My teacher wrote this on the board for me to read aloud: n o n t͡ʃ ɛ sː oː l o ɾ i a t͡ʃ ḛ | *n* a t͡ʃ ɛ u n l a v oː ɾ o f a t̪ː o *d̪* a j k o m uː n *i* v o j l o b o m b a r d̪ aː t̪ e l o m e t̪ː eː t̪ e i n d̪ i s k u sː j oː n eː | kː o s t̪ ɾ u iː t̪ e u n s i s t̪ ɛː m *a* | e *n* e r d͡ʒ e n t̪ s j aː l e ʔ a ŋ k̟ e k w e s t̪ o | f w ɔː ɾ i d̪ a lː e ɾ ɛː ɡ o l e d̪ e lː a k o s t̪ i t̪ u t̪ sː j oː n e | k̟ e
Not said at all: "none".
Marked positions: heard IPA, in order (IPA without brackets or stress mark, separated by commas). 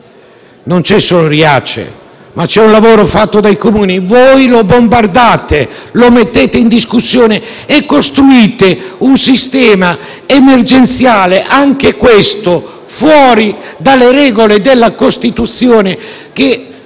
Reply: m, d̪, i, a, m